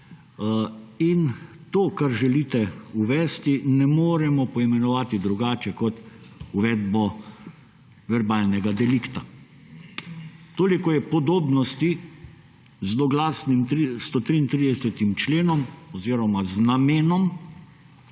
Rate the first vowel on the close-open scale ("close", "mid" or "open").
close